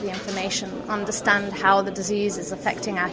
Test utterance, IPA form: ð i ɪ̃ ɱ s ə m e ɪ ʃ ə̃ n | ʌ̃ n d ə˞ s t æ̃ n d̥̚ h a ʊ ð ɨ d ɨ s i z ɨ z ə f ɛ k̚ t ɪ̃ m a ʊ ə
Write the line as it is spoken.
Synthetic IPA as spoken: ð i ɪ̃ ɱ f ə m e ɪ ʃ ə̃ n | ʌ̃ n d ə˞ s t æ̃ n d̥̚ h a ʊ ð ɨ d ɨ z i z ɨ z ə f ɛ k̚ t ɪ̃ ŋ a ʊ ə